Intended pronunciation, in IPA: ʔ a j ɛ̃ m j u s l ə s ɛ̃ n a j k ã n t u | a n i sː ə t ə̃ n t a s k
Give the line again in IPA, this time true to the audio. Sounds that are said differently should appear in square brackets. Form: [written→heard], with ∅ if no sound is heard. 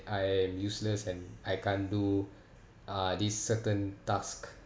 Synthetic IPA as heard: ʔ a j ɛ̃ m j u s l ə s ɛ̃ n a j k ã n [t→d] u | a [n→d] i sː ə t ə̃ n t a s k

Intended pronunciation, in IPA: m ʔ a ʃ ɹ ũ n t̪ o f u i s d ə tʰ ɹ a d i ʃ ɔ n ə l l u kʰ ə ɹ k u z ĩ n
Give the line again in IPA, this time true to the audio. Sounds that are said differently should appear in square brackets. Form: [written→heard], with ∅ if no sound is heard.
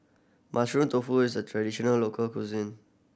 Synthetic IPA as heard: m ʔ a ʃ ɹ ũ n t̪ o f u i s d ə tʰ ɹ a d i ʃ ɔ n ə l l [u→o] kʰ ə [ɹ→l] k u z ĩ n

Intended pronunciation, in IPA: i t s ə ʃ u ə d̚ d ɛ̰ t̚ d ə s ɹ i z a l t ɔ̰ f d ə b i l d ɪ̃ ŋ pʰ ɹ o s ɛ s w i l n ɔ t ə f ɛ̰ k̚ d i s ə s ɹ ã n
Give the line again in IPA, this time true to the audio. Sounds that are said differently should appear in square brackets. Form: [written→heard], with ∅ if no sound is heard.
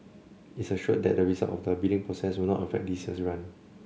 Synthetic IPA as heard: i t s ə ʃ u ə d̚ d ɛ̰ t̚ d ə [s→∅] ɹ i z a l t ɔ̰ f d ə b i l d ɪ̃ ŋ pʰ ɹ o s ɛ s w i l n ɔ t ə f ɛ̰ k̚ d i s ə s ɹ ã n

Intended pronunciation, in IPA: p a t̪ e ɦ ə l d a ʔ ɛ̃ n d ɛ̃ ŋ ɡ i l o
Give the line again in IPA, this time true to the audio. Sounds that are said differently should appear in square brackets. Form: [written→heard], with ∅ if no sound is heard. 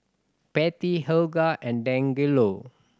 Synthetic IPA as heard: p [a→ɛ] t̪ [e→i] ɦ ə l [d→ɡ] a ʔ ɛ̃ n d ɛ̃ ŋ ɡ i l o

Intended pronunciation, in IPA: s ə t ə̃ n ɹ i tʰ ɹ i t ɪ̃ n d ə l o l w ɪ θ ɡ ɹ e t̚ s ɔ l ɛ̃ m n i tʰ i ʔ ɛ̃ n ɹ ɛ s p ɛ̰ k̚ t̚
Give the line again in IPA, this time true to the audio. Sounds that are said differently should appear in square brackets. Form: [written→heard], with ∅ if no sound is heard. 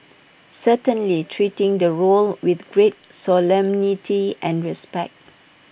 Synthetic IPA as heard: s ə t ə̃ n [ɹ→l] i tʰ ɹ i t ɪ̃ [n→ŋ] d ə [l→ɹ] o l w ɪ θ ɡ ɹ e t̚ s ɔ l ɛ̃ m n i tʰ i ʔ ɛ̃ n ɹ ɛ s p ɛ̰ k̚ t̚

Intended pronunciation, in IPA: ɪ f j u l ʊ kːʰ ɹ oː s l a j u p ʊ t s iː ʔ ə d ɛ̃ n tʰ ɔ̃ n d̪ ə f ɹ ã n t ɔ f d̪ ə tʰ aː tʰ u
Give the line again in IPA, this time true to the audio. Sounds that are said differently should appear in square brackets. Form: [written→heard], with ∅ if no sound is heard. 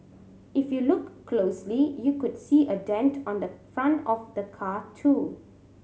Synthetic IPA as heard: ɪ f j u l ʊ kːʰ [ɹ→l] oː s l [a→i] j u [p→k] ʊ [t→d] s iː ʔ ə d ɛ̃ n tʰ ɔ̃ n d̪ ə f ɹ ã n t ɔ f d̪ ə [tʰ→kʰ] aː tʰ u

